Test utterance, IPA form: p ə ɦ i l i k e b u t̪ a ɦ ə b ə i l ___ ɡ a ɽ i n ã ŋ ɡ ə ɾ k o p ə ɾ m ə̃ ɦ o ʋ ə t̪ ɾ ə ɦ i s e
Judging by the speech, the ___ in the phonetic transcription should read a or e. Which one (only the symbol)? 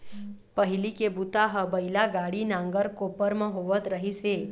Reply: a